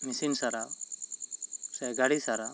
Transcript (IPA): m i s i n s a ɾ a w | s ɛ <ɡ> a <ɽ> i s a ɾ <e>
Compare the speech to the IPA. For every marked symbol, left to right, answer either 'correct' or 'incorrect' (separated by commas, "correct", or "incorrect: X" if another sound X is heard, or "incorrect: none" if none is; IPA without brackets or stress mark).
correct, correct, incorrect: a